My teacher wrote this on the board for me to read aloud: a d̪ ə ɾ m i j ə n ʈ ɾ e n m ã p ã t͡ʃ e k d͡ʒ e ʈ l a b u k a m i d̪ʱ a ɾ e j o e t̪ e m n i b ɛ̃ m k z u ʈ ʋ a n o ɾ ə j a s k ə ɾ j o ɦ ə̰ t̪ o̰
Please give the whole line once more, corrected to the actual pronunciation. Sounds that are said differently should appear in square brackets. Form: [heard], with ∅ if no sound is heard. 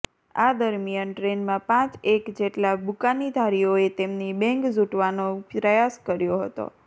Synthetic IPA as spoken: a d̪ ə ɾ m i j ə n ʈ ɾ e n m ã p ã t͡ʃ e k d͡ʒ e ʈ l a b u k a [n] i d̪ʱ a ɾ [i] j o e t̪ e m n i b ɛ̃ [ŋ] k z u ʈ ʋ a n o ɾ ə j a s k ə ɾ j o ɦ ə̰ t̪ o̰